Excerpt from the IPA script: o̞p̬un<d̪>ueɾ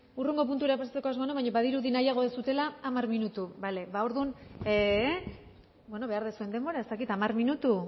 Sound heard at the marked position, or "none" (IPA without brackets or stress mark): t̪